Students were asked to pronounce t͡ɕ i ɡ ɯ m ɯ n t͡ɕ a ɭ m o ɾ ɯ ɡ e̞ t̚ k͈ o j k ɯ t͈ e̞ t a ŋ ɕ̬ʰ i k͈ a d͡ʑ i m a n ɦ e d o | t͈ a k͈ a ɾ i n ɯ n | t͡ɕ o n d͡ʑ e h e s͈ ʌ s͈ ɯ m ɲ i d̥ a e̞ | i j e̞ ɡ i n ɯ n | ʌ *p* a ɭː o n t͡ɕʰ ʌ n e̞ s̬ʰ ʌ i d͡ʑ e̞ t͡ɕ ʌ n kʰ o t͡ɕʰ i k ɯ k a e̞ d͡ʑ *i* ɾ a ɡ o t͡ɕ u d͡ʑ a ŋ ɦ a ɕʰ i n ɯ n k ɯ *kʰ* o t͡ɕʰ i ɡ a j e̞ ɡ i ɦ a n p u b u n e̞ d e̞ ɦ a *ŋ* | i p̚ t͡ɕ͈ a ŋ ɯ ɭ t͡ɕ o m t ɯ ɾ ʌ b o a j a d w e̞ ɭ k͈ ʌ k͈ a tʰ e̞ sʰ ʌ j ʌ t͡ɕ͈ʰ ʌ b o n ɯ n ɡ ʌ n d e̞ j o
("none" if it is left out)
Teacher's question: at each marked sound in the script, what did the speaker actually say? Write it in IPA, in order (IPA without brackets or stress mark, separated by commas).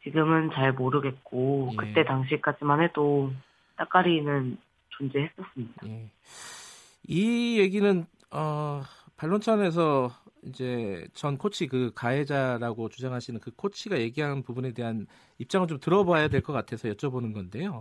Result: p, a, kʰ, n